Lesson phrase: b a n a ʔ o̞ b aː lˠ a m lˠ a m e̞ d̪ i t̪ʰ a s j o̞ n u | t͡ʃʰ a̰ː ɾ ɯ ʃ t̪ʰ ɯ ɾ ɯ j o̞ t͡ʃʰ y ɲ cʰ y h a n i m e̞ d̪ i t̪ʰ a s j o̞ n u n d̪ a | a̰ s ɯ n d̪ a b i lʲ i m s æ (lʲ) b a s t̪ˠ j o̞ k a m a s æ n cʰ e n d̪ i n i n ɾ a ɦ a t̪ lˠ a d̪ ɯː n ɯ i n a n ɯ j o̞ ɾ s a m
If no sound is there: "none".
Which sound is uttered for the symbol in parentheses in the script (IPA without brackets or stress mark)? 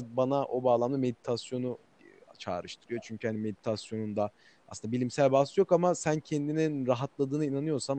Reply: lʲ